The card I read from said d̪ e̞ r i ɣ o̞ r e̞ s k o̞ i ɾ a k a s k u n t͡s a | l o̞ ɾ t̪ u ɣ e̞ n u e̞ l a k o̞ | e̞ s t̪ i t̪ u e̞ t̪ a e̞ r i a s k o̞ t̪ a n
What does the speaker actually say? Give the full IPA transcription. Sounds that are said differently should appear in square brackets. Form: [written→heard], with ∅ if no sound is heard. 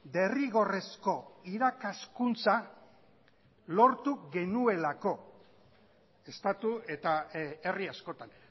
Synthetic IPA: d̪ e̞ r i ɣ o̞ r e̞ s k o̞ i ɾ a k a s k u n t͡s a | l o̞ ɾ t̪ u ɣ e̞ n u e̞ l a k o̞ | e̞ s t̪ [i→a] t̪ u e̞ t̪ a e̞ r i a s k o̞ t̪ a n

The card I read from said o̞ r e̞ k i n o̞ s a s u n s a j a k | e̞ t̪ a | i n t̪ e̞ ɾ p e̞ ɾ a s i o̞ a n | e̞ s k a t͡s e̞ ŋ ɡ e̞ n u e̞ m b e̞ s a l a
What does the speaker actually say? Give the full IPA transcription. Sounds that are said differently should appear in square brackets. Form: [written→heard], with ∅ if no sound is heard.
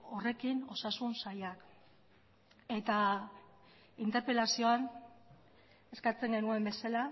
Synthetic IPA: o̞ r e̞ k i n o̞ s a s u n s a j a k | e̞ t̪ a | i n t̪ e̞ ɾ p e̞ [ɾ→l] a s i o̞ a n | e̞ s k a t͡s e̞ ŋ ɡ e̞ n u e̞ m b e̞ s a l a

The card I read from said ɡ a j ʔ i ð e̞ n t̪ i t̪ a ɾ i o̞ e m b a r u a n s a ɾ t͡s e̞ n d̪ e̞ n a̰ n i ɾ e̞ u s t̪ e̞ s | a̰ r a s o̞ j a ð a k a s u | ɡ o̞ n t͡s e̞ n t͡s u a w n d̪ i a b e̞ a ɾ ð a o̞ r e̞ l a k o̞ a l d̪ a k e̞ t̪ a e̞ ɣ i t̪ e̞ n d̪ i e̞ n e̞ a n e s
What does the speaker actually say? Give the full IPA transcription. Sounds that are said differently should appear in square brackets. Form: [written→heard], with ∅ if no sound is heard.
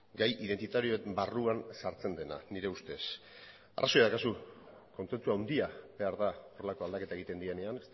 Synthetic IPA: ɡ a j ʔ i ð e̞ n t̪ i t̪ a ɾ i o̞ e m b a r u a n s a ɾ t͡s e̞ n d̪ e̞ n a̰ n i ɾ e̞ u s t̪ e̞ s | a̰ r a s o̞ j a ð a k a s u | [ɡ→k] o̞ n t͡s e̞ n t͡s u a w n d̪ i a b e̞ a ɾ ð a o̞ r e̞ l a k o̞ a l d̪ a k e̞ t̪ a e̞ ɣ i t̪ e̞ n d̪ i e̞ n e̞ a n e s

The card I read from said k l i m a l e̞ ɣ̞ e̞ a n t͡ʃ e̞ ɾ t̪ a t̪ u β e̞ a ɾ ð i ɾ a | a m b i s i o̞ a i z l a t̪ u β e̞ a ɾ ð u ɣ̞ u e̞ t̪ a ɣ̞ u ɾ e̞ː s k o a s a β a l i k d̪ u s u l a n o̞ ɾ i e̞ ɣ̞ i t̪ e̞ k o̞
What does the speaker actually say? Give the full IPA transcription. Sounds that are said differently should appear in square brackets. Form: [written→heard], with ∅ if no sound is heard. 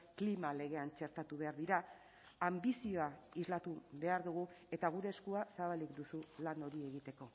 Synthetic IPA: k l i m a l e̞ ɣ̞ e̞ a n t͡ʃ e̞ ɾ t̪ a t̪ u β e̞ a ɾ ð i ɾ a | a m b i s i o̞ a i z l a t̪ u β e̞ a ɾ ð u ɣ̞ u e̞ t̪ a ɣ̞ u ɾ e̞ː s k [o→u] a s a β a l i k d̪ u s u l a n o̞ ɾ i e̞ ɣ̞ i t̪ e̞ k o̞

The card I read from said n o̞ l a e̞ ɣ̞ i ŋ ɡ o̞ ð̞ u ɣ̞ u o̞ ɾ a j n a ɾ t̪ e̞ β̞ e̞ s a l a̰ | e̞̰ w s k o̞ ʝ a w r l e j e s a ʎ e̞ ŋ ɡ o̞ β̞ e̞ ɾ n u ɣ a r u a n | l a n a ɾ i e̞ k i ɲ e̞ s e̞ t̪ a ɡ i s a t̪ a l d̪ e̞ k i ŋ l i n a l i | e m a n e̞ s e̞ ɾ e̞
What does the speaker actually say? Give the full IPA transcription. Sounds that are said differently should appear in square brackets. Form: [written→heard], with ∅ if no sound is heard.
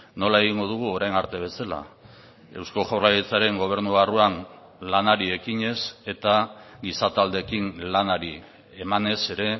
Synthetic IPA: n o̞ l a e̞ ɣ̞ i ŋ ɡ o̞ ð̞ u ɣ̞ u o̞ ɾ a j n a ɾ t̪ e̞ β̞ e̞ s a l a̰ | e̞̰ w s k o̞ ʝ a w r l [e→a] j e [s→t͡s] a [ʎ→ɾ] e̞ ŋ ɡ o̞ β̞ e̞ ɾ n u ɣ a r u a n | l a n a ɾ i e̞ k i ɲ e̞ s e̞ t̪ a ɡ i s a t̪ a l d̪ e̞ k i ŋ l [i→a] n a [l→ɾ] i | e m a n e̞ s e̞ ɾ e̞

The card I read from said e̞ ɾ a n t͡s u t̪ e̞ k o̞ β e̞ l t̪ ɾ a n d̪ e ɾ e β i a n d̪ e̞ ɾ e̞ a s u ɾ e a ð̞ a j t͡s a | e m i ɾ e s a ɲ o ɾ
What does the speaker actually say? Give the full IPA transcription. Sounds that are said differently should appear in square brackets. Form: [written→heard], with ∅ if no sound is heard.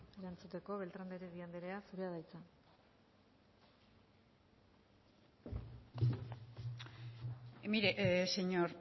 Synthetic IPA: e̞ ɾ a n t͡s u t̪ e̞ k o̞ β e̞ l t̪ ɾ a n d̪ e ɾ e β i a n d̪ e̞ ɾ e̞ a s u ɾ e a ð̞ a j t͡s a | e m i ɾ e s [a→e] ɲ o ɾ

